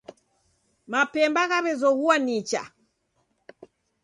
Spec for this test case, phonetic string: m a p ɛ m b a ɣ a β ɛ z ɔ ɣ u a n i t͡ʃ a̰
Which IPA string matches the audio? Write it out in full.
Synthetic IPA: m a p ɛ m b a ɣ a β ɛ z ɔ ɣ u a n i t͡ʃ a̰